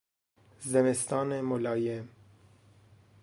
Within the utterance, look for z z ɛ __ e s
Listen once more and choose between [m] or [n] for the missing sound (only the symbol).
m